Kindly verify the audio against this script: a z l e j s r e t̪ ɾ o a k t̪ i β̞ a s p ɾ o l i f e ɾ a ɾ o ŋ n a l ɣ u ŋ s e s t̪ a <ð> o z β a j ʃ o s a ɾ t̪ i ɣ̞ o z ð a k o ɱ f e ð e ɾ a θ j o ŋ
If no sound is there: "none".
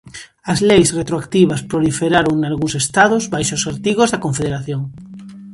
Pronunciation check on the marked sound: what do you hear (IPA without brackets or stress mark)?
ð